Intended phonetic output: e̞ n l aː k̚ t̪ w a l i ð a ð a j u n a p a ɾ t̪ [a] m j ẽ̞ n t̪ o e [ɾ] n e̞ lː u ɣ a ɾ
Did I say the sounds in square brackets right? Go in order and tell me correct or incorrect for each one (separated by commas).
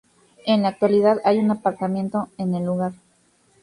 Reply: correct, incorrect